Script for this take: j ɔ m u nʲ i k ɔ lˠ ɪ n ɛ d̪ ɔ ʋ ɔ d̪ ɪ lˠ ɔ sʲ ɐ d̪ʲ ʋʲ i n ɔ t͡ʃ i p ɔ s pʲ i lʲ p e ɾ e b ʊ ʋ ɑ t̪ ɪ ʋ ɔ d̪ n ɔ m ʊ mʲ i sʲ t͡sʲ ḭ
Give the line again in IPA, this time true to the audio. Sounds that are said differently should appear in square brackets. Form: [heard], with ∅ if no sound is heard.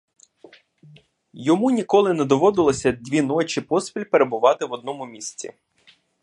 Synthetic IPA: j ɔ m u nʲ i k ɔ lˠ ɪ n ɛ d̪ ɔ ʋ ɔ d̪ ɪ lˠ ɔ sʲ ɐ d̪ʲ ʋʲ i n ɔ t͡ʃ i p ɔ s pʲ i lʲ p e ɾ e b ʊ ʋ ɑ t̪ ɪ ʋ ɔ d̪ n ɔ m ʊ mʲ i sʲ t͡sʲ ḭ